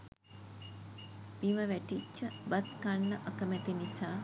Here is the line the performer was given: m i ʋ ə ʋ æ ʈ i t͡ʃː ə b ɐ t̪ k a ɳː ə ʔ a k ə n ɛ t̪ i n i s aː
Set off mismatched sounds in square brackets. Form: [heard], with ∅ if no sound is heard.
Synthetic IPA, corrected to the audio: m i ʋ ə ʋ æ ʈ i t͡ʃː ə b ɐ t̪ k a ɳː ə ʔ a k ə [m] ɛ t̪ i n i s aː